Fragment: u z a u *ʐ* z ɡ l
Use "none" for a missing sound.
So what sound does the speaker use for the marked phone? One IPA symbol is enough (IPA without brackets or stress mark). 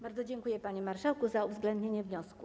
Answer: v